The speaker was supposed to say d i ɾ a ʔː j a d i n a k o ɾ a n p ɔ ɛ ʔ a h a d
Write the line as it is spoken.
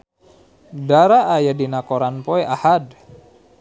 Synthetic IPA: d a ɾ a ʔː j a d i n a k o ɾ a n p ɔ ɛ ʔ a h a d